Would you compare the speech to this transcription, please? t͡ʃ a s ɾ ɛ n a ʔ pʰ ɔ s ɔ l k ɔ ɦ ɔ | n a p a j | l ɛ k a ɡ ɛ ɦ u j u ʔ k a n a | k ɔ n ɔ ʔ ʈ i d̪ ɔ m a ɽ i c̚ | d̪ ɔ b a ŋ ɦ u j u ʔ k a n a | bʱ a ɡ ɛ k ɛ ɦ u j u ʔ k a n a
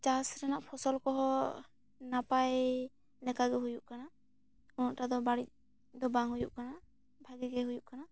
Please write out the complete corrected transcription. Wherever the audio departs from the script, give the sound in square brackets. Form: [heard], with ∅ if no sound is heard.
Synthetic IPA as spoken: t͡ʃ a s ɾ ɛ n a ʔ pʰ ɔ s ɔ l k ɔ ɦ ɔ | n a p a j | l ɛ k a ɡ ɛ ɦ u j u ʔ k a n a | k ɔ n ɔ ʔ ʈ [a] d̪ ɔ [b] a ɽ i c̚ | d̪ ɔ b a ŋ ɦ u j u ʔ k a n a | bʱ a ɡ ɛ [ɡ] ɛ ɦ u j u ʔ k a n a